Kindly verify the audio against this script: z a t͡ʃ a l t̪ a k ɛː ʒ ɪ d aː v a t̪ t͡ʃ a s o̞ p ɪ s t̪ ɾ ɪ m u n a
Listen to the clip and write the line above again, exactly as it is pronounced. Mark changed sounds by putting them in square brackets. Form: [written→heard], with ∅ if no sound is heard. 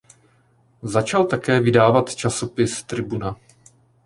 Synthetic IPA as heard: z a t͡ʃ a l t̪ a k ɛː [ʒ→v] ɪ d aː v a t̪ t͡ʃ a s o̞ p ɪ s t̪ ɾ ɪ [m→b] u n a